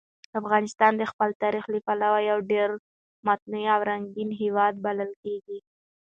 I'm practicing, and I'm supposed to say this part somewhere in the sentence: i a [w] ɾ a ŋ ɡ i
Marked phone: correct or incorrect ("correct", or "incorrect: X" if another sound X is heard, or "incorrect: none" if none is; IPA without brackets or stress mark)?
correct